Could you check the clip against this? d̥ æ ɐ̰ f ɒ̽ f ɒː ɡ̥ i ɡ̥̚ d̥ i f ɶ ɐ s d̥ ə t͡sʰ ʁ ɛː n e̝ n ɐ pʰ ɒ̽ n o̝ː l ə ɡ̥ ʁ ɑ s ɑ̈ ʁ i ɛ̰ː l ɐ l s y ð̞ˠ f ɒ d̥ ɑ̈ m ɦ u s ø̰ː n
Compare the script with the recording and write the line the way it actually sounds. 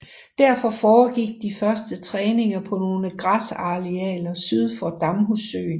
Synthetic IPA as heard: d̥ æ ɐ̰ f ɒ̽ f ɒː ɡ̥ i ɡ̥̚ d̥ i f ɶ ɐ s d̥ ə t͡sʰ ʁ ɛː n e̝ ŋ ɐ pʰ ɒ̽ n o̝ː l ə ɡ̥ ʁ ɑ s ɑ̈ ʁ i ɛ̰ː l ɐ s y ð̞ˠ f ɒ d̥ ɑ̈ m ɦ u s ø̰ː n